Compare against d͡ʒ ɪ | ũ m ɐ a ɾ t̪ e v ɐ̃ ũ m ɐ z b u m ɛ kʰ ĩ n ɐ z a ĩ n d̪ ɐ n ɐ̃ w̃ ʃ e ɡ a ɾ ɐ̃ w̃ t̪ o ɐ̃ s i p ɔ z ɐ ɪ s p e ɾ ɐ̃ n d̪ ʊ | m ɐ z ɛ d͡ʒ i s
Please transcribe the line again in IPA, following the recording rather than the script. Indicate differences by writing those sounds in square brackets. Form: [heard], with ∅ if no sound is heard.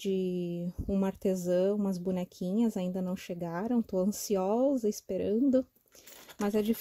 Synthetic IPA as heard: d͡ʒ ɪ | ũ m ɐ a ɾ t̪ e [z] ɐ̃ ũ m ɐ z b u [n] ɛ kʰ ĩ [ɲ] ɐ z a ĩ n d̪ ɐ n ɐ̃ w̃ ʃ e ɡ a ɾ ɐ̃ w̃ t̪ o ɐ̃ s i [∅] ɔ z ɐ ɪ s p e ɾ ɐ̃ n d̪ ʊ | m ɐ z ɛ d͡ʒ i [f]